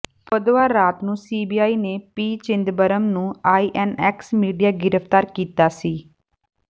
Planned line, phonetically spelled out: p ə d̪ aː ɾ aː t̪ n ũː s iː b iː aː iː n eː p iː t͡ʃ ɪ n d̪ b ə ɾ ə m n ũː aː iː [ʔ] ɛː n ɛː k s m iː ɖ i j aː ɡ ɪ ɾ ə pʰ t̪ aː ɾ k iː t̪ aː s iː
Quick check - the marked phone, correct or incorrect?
correct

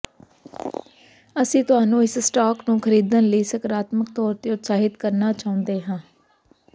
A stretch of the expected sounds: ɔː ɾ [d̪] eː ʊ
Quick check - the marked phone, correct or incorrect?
incorrect: t̪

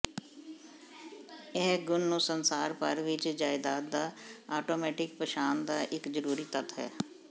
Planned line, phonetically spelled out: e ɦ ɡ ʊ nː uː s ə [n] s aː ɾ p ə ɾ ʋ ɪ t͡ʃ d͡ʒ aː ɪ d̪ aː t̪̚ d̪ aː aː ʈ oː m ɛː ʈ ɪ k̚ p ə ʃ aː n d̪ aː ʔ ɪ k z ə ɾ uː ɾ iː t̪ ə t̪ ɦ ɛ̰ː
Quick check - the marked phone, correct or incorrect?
correct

